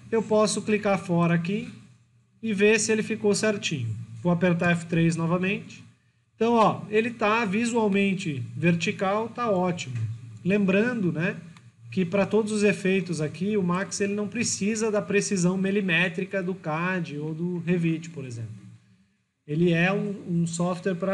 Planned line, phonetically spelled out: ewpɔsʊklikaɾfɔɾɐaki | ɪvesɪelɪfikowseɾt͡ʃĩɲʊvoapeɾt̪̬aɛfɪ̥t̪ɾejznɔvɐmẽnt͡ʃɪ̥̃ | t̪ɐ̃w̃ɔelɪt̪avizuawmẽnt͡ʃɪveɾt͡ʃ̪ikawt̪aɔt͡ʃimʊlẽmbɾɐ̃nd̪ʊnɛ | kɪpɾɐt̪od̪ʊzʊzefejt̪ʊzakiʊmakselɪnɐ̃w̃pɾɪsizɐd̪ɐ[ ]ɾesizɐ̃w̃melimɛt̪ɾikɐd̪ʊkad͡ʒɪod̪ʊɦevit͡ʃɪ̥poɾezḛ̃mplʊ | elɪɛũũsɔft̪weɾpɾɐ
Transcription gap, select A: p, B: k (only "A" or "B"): A